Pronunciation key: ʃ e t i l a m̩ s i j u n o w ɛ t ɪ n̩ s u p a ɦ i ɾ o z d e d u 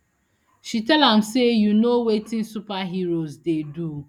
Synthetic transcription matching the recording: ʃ i t ɛ l a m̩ s e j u n o w e t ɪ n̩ s u p a ɦ i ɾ o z d e d u